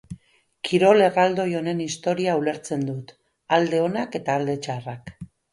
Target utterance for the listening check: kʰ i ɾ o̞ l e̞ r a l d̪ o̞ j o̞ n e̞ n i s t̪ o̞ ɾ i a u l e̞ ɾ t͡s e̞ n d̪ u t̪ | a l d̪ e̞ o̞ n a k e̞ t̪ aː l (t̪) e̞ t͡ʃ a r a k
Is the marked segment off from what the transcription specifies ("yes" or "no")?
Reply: yes